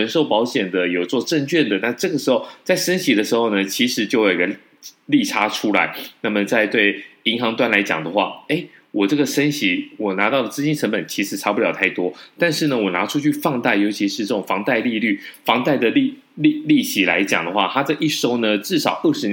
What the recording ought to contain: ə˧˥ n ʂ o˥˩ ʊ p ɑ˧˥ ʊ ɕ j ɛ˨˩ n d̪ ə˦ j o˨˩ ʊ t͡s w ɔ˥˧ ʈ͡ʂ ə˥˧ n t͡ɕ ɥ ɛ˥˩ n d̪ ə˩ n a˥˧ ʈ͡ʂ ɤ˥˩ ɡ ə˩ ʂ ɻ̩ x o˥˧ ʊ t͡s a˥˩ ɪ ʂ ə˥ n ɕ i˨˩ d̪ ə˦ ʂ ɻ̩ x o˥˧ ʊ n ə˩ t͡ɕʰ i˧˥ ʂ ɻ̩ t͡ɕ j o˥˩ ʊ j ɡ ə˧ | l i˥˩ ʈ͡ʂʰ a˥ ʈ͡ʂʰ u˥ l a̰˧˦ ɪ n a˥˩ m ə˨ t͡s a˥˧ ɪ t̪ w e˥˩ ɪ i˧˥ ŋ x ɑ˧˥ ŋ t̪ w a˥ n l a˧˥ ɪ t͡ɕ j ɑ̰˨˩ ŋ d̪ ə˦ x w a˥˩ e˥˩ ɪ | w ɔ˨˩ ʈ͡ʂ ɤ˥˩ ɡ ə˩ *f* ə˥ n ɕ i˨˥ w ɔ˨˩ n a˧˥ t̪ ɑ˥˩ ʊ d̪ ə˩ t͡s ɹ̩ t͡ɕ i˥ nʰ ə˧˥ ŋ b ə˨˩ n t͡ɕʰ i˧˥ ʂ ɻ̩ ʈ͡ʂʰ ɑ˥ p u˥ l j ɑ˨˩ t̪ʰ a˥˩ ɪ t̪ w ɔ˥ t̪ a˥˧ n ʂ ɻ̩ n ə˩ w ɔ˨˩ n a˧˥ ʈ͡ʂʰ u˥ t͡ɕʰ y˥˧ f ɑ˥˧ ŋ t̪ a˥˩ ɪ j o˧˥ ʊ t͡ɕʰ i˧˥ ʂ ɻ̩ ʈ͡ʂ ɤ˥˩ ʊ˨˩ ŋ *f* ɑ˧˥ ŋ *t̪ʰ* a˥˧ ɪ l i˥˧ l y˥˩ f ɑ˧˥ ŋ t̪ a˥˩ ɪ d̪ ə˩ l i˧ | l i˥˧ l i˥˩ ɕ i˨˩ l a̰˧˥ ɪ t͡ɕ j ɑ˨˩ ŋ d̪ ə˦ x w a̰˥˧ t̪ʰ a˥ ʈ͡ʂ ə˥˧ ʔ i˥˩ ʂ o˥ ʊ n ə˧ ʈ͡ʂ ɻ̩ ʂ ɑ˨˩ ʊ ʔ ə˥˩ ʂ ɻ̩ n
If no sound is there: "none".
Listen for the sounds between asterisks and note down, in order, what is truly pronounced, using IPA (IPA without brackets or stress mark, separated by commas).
ʂ, f, t̪